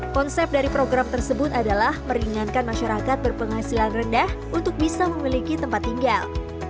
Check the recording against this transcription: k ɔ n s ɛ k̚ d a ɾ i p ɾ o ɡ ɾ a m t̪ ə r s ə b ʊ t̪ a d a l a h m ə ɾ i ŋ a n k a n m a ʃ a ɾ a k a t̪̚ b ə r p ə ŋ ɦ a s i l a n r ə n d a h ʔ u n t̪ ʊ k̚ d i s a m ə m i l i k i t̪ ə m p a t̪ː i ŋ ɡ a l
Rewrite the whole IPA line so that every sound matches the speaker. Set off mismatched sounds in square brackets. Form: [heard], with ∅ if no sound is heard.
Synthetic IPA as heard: k ɔ n s ɛ [p̚] d a ɾ i p ɾ o ɡ ɾ a m t̪ ə r s ə b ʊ t̪ a d a l a h m ə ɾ i ŋ a n k a n m a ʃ a ɾ a k a t̪̚ b ə r p ə ŋ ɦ a s i l a n r ə n d a h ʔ u n t̪ ʊ k̚ [b] i s a m ə m i l i k i t̪ ə m p a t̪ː i ŋ ɡ a l